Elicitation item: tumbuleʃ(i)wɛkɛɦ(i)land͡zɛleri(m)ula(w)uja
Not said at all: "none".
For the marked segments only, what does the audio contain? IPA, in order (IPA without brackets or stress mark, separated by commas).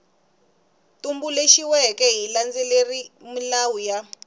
i, i, m, w